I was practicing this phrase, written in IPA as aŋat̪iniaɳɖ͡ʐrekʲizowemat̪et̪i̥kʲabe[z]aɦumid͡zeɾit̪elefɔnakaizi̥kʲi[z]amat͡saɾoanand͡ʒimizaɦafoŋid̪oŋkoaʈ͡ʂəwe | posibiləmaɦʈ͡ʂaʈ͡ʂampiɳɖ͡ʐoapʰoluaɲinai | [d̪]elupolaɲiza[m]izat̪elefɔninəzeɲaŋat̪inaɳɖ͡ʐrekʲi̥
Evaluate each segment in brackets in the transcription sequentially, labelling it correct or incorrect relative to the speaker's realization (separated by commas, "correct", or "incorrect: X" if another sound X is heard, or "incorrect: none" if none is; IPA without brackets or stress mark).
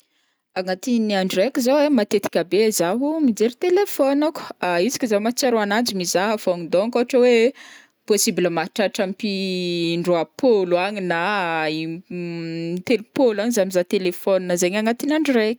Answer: correct, correct, incorrect: t̪, correct